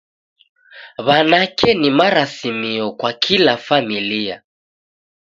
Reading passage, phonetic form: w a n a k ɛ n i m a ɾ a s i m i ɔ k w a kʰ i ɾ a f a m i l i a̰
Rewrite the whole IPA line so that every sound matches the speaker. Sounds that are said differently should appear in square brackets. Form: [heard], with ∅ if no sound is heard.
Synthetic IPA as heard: [β] a n a k ɛ n i m a ɾ a s i m i ɔ k w a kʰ i [l] a f a m i l i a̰

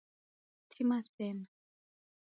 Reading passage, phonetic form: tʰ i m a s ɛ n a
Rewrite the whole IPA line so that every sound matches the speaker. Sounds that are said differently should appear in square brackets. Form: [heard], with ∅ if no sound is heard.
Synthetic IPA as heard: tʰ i m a s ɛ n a

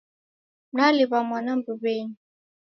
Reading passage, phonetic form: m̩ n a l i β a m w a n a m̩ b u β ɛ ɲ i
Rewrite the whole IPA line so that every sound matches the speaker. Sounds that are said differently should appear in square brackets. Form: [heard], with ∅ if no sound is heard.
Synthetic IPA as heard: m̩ n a l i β a m w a n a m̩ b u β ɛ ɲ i

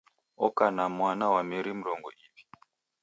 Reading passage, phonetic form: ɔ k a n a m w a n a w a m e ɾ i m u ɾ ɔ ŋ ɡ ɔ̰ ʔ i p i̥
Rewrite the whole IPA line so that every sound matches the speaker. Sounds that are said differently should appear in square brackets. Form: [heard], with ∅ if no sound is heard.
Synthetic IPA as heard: ɔ k a n a m w a n a w a m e ɾ i m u ɾ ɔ ŋ ɡ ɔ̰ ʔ i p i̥

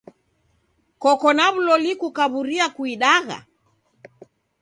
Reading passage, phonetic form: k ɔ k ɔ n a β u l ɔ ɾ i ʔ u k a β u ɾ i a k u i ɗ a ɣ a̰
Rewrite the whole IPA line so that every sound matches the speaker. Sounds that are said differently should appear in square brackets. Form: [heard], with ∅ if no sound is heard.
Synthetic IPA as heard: k ɔ k ɔ n a β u l ɔ [l] i [k] u k a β u ɾ i a k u i ɗ a ɣ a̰

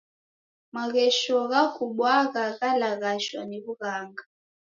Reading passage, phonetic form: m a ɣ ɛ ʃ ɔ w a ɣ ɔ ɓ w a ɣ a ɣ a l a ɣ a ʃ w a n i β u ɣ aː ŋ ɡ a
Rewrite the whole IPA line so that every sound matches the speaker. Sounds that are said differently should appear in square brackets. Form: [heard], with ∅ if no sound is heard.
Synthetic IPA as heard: m a ɣ ɛ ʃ ɔ [ɣ] a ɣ [u] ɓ w a ɣ a ɣ a l a ɣ a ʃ w a n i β u ɣ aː ŋ ɡ a

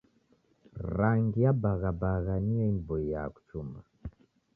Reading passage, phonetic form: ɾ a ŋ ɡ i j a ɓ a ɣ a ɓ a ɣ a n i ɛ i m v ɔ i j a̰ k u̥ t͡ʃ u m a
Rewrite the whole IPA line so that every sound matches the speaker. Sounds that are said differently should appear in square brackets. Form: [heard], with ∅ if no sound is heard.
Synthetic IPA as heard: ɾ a ŋ ɡ i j a [b] a ɣ a [b] a ɣ a n i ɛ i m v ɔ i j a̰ k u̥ t͡ʃ u m a

